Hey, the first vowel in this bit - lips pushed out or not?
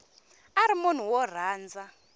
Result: no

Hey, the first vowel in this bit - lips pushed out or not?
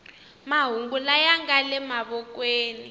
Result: no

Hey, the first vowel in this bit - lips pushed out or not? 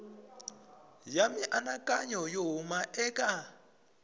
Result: no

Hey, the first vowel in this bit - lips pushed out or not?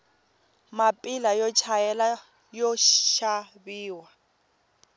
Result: no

